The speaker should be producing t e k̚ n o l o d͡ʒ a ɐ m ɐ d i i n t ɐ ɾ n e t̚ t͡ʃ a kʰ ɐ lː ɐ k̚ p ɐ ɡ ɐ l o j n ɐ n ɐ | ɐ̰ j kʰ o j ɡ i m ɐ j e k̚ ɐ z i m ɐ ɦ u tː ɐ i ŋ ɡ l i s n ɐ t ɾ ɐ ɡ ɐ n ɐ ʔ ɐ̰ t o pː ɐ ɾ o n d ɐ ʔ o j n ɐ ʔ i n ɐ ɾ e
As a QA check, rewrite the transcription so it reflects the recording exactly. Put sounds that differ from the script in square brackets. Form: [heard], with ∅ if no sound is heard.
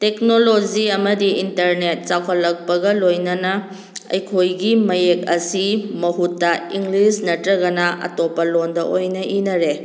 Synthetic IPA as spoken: t e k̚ n o l o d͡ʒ [i] ɐ m ɐ d i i n t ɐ ɾ n e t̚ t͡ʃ a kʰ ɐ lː ɐ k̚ p ɐ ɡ ɐ l o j n ɐ n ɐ | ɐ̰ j kʰ o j ɡ i m ɐ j e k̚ ɐ [s] i m ɐ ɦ u tː ɐ i ŋ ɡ l i s n ɐ t ɾ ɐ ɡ ɐ n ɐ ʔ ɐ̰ t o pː ɐ [l] o n d ɐ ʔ o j n ɐ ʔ i n ɐ ɾ e